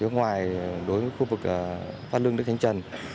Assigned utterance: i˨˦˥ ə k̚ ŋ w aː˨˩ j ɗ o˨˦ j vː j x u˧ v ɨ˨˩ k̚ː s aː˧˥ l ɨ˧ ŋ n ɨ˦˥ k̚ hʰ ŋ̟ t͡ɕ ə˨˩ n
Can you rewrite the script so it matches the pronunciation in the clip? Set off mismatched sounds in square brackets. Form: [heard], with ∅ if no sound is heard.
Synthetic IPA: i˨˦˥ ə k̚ ŋ w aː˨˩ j ɗ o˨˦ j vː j x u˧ v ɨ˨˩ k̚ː [f] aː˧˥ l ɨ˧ ŋ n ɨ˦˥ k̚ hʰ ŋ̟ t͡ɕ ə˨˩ n